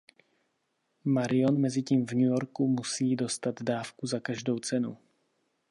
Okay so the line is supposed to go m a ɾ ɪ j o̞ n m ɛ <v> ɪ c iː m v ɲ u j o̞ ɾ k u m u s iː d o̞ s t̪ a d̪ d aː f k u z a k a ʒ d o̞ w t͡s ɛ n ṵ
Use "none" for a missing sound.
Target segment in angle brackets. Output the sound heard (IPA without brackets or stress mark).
z